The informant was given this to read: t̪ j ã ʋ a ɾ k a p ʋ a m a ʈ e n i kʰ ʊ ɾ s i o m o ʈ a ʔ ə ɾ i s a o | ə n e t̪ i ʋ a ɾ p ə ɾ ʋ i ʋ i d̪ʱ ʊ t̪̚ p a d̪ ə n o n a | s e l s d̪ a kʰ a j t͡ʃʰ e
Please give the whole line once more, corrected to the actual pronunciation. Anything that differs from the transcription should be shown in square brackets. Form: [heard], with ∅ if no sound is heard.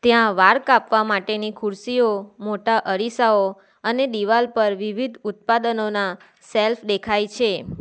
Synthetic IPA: t̪ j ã ʋ a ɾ k a p ʋ a m a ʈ e n i kʰ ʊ ɾ s i o m o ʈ a ʔ ə ɾ i s a o | ə n e [d̪] i ʋ a [l] p ə ɾ ʋ i ʋ i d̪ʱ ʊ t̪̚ p a d̪ ə n o n a | s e l [f] d̪ [e] kʰ a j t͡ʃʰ e